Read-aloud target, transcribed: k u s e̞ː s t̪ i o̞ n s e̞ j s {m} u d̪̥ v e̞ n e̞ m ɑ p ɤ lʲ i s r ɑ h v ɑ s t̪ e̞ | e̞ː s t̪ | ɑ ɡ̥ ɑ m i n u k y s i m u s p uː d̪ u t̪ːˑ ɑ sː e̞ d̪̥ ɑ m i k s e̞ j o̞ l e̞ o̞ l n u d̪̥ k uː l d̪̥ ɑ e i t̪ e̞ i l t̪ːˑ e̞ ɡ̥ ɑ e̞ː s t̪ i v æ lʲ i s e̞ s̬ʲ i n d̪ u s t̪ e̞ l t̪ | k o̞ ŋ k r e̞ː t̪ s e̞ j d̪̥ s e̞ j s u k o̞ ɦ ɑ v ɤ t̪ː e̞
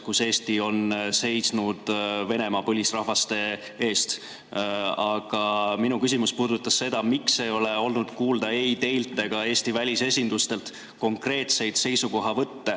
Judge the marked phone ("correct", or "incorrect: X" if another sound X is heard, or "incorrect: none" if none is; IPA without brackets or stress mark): incorrect: n